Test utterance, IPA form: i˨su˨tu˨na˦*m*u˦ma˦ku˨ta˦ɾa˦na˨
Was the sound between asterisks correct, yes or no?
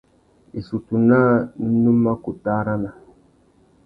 no